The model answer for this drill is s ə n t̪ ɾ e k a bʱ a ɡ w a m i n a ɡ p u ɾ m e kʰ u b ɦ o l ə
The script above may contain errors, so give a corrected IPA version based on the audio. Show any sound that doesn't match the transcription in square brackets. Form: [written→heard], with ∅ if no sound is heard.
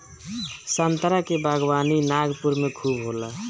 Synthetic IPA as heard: s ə n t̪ ɾ [e→a] k [a→e] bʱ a ɡ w a [m→n] i n a ɡ p u ɾ m e kʰ u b ɦ o l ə